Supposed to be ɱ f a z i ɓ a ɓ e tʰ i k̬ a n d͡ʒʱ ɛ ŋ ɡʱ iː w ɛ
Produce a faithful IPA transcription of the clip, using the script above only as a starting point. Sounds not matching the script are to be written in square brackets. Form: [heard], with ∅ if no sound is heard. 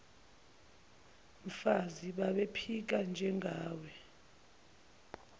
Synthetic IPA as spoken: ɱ f a z i ɓ a ɓ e [pʰ] i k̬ a n d͡ʒʱ ɛ ŋ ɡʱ [aː] w ɛ

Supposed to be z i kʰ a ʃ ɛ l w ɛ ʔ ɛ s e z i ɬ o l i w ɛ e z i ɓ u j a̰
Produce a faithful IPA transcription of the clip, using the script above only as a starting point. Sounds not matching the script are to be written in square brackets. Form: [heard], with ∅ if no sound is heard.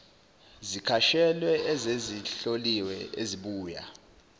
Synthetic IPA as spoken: z i kʰ a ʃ ɛ l w ɛ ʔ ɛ [z] e z i ɬ o l i w ɛ e z i ɓ [uː] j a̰

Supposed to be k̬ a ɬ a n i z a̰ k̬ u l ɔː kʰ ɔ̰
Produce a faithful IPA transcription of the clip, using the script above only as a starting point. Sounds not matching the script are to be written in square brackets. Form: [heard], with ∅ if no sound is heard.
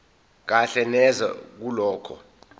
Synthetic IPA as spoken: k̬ a ɬ [ɛ] n [ɛ] z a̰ k̬ u l ɔː kʰ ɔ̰

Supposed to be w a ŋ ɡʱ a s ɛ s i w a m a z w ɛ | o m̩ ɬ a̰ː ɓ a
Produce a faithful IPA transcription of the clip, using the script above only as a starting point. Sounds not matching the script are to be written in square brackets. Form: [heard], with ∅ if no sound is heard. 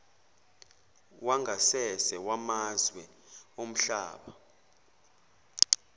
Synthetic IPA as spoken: w a ŋ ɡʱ a s ɛ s [ɛ] w a m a z w ɛ | o m̩ ɬ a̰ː ɓ a

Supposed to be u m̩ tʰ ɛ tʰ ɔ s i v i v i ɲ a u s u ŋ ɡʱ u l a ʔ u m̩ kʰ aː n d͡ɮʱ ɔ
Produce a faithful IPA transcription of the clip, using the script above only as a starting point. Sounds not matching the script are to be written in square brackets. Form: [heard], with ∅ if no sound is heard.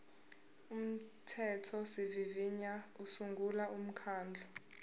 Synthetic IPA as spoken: u m̩ tʰ ɛ tʰ ɔ s i v i v i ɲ a u s u ŋ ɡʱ u l a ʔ u m̩ kʰ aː n d͡ɮʱ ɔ

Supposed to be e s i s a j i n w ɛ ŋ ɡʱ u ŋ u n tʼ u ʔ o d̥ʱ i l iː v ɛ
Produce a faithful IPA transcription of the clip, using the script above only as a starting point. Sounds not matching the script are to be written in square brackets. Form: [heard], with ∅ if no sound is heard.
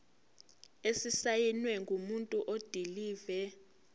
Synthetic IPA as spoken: e s i s a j i n w ɛ ŋ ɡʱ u [m] u n tʼ u ʔ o d̥ʱ i l iː v ɛ

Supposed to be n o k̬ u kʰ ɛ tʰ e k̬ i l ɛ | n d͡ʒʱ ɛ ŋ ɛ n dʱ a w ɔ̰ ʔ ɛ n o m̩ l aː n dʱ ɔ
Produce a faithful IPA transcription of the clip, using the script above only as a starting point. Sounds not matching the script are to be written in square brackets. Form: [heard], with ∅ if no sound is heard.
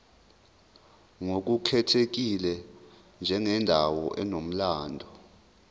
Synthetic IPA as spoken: [ŋ] o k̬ u kʰ ɛ tʰ e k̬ i l ɛ | n d͡ʒʱ ɛ ŋ ɛ n dʱ a w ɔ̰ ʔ ɛ n o m̩ l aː n dʱ ɔ

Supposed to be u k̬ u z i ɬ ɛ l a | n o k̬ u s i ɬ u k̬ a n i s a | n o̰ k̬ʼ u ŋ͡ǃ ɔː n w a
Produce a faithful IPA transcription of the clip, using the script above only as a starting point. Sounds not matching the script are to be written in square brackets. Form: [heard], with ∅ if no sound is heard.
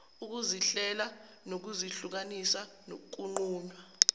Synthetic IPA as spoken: u k̬ u z i ɬ ɛ l a | n o k̬ u [z] i ɬ u k̬ a n i s a | n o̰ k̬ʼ u ŋ͡ǃ [uː] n w a

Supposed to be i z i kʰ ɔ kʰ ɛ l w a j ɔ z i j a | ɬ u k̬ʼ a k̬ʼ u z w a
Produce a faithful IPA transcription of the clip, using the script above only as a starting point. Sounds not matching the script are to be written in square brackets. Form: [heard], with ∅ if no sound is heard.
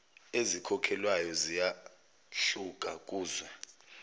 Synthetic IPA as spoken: [e] z i kʰ ɔ kʰ ɛ l w a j ɔ z i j a | ɬ u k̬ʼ a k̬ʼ [uː] z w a

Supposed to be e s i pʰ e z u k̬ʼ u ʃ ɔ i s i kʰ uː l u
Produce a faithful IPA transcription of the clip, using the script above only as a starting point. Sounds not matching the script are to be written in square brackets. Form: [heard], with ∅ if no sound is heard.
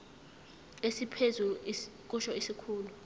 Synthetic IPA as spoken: e s i pʰ e z u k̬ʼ u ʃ ɔ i s i kʰ uː l u

